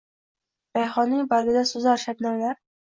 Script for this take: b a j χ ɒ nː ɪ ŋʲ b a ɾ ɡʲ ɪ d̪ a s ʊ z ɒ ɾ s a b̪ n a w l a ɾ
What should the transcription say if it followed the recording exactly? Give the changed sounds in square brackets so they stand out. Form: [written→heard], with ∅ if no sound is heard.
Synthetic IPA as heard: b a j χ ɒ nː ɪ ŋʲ b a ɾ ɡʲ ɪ d̪ a s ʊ z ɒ ɾ [s→ʃ] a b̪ n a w l a ɾ